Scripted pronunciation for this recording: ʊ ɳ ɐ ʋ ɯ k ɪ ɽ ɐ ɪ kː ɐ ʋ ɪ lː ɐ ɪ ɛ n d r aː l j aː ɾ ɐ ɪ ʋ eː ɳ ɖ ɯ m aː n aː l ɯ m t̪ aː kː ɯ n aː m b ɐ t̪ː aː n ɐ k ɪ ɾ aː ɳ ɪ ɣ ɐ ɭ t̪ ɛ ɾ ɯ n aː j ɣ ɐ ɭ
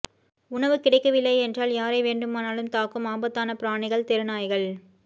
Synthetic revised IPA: ʊ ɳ ɐ ʋ ɯ k ɪ ɽ ɐ ɪ kː ɐ ʋ ɪ lː ɐ ɪ ɛ n d r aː l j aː ɾ ɐ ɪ ʋ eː ɳ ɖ ɯ m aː n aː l ɯ m t̪ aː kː ɯ m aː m b ɐ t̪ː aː n ɐ p ɪ ɾ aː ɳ ɪ ɣ ɐ ɭ t̪ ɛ ɾ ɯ n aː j ɣ ɐ ɭ